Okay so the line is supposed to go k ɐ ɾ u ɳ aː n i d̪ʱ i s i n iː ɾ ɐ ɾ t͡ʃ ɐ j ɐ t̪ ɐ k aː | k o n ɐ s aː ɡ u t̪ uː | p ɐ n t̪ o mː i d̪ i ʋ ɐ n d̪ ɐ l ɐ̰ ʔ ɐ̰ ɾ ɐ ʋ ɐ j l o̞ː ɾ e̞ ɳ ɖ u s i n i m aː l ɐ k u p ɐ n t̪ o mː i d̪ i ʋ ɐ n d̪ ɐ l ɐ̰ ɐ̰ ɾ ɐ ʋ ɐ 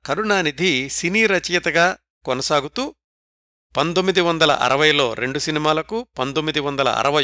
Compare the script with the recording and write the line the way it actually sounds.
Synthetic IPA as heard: k ɐ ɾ u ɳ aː n i d̪ʱ i s i n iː ɾ ɐ t͡ʃ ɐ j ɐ t̪ ɐ ɡ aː | k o n ɐ s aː ɡ u t̪ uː | p ɐ n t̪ o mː i d̪ i ʋ ɐ n d̪ ɐ l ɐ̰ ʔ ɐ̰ ɾ ɐ ʋ ɐ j l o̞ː ɾ e̞ ɳ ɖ u s i n i m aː l ɐ k u p ɐ n t̪ o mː i d̪ i ʋ ɐ n d̪ ɐ l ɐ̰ ɐ̰ ɾ ɐ ʋ ɐ